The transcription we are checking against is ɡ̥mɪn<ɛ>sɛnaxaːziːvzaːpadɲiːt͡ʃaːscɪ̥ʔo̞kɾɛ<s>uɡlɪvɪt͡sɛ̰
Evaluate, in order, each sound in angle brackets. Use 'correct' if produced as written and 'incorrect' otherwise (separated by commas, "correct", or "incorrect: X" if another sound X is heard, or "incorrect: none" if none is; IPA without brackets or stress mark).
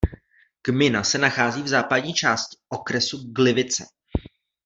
incorrect: a, correct